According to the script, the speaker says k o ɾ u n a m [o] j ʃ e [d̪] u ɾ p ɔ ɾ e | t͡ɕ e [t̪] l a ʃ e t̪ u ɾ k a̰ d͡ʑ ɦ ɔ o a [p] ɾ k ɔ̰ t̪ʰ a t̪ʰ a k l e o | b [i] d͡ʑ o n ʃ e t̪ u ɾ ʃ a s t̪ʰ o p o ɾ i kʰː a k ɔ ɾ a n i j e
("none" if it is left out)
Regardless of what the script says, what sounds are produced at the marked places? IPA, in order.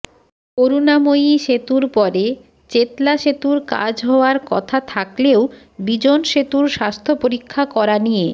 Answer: o, t̪, t̪, none, i

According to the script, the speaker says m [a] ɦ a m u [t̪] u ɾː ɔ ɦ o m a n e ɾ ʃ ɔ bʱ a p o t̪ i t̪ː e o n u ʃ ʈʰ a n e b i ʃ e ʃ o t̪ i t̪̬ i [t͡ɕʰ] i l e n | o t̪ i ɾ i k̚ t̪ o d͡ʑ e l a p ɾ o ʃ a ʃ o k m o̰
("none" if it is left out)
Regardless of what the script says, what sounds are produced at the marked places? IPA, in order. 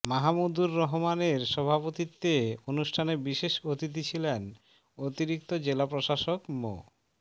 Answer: a, d̪, t͡ɕʰ

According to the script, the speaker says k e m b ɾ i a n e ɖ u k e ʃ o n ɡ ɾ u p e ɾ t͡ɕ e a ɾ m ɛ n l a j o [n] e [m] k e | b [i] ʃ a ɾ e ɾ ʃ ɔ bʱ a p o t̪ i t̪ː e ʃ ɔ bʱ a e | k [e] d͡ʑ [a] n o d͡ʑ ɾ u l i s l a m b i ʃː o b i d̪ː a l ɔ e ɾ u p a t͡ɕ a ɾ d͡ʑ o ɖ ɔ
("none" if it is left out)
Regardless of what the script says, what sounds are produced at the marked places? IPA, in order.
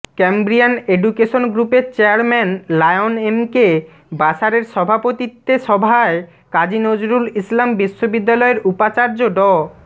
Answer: n, m, a, a, i

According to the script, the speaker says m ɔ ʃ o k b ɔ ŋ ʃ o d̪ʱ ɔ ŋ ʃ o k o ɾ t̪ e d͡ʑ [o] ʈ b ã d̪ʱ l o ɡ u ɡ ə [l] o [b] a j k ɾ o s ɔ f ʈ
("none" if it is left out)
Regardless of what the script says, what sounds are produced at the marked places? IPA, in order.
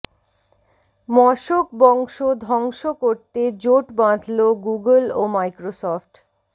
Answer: o, l, m

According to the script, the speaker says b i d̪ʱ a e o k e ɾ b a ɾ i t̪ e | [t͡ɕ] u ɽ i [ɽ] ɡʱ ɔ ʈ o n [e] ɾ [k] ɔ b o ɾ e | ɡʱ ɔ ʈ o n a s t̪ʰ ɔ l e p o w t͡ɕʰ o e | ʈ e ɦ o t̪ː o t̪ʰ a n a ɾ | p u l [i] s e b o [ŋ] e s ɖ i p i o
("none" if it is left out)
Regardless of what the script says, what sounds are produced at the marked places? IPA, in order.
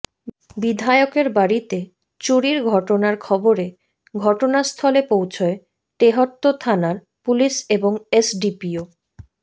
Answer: t͡ɕ, ɾ, a, kʰ, i, ŋ

